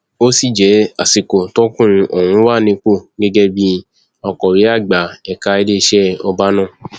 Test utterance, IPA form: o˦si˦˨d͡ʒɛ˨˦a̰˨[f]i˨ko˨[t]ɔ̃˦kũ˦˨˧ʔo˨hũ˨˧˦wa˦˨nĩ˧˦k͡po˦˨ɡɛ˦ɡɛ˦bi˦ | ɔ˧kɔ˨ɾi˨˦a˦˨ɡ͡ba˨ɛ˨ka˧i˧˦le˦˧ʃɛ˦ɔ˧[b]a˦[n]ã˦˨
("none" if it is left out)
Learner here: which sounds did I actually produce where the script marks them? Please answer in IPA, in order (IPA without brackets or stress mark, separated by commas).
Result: s, t, b, n